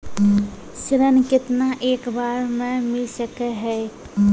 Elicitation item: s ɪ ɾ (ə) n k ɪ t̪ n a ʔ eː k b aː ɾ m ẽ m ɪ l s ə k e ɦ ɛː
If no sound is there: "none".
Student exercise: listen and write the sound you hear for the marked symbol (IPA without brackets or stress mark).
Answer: ə